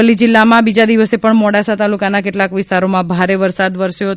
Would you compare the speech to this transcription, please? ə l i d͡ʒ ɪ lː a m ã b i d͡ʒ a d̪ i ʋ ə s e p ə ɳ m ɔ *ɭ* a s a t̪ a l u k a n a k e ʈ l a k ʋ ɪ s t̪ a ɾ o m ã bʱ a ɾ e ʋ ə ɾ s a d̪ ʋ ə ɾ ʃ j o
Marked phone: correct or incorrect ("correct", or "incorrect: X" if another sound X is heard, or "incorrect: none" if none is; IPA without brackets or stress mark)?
incorrect: ɽ